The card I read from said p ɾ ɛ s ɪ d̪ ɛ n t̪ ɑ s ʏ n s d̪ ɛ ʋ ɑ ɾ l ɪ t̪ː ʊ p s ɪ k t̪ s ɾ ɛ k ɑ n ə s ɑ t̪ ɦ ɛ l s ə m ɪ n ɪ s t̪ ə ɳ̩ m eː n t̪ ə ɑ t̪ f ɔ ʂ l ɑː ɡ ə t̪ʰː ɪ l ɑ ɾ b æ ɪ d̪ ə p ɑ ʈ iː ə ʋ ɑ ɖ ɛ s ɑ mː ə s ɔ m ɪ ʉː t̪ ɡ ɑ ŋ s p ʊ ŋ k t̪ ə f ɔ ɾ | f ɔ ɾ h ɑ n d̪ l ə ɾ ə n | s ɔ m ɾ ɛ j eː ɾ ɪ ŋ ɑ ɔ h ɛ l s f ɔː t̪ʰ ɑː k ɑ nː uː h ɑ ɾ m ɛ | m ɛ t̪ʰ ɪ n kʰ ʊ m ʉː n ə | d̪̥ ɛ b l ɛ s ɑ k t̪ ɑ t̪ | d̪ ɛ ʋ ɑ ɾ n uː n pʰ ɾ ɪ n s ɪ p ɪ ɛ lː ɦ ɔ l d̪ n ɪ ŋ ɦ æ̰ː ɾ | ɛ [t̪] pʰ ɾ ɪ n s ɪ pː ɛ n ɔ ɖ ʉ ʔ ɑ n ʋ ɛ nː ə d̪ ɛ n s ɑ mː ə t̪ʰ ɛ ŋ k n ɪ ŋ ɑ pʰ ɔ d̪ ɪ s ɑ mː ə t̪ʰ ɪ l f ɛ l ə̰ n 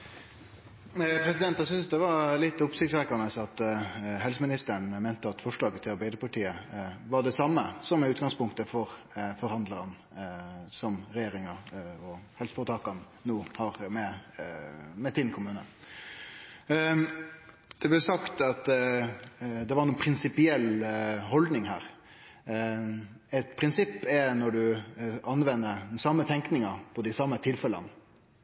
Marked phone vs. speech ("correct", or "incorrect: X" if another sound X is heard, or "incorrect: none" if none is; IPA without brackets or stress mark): correct